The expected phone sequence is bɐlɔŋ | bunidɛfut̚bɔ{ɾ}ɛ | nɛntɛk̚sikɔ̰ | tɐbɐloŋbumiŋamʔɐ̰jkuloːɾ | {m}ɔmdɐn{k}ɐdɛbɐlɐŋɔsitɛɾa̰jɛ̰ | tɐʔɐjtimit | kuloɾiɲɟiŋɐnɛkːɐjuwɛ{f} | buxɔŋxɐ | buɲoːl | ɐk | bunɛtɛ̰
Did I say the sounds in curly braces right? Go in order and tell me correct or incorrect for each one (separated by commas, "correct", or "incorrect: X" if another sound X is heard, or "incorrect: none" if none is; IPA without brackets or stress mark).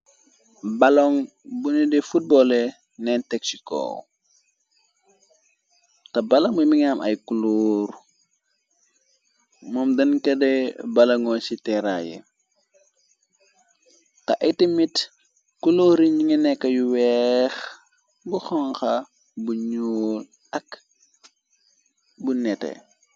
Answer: incorrect: l, correct, correct, incorrect: x